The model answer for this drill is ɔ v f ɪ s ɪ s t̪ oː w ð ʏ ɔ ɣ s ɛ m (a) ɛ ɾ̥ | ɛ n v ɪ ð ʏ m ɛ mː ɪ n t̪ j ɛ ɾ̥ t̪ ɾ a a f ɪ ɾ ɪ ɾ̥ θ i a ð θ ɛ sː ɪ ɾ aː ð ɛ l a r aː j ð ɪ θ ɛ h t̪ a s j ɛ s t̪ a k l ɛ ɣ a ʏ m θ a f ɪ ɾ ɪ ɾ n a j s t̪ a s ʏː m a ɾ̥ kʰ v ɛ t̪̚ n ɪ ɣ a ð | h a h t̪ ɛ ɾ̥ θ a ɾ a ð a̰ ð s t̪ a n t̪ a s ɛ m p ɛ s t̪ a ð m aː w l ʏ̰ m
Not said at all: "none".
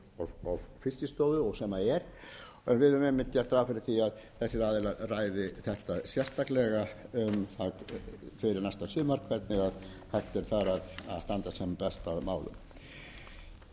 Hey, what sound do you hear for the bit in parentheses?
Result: a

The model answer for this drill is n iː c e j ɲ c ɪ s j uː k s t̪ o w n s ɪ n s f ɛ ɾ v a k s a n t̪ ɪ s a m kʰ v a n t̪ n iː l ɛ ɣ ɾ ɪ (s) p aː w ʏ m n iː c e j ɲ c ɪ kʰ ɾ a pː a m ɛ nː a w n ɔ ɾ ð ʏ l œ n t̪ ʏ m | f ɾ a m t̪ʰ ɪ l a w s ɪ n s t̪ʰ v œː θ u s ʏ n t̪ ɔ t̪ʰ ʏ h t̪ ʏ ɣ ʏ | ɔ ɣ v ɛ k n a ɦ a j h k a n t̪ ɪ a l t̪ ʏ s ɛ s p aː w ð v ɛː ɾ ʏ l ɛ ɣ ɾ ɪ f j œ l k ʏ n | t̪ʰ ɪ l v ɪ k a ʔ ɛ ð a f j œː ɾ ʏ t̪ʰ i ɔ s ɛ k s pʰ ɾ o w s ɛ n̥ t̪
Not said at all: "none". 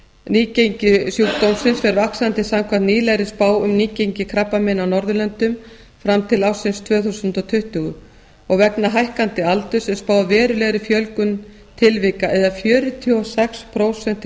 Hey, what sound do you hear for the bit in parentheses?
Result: s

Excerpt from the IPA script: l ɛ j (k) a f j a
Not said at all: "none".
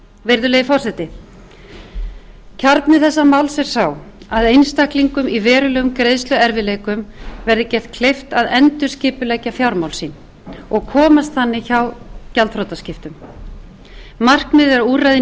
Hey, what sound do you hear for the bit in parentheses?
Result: c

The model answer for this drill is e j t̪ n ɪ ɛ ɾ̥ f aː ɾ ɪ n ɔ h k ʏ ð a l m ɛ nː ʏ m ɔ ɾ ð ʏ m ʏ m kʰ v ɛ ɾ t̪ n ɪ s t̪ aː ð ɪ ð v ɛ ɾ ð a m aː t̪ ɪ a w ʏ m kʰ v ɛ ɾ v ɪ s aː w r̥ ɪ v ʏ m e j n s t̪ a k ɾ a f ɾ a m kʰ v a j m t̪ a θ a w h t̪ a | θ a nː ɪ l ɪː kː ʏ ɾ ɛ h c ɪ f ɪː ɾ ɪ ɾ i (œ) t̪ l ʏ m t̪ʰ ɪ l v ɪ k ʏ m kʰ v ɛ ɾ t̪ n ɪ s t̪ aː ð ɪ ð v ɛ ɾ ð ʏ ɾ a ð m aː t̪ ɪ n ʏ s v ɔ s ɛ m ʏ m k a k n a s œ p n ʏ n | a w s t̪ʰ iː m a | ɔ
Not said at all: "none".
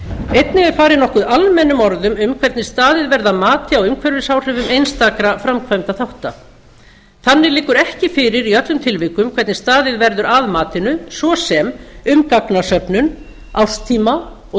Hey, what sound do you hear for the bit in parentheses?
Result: œ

